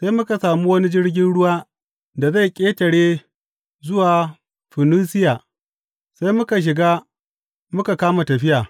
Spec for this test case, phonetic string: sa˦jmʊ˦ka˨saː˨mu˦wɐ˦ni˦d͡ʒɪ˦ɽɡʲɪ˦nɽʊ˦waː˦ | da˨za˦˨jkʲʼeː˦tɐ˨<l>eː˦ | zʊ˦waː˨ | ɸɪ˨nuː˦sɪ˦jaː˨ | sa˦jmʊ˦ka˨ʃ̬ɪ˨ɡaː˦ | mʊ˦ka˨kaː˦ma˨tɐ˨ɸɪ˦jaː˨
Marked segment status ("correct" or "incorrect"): incorrect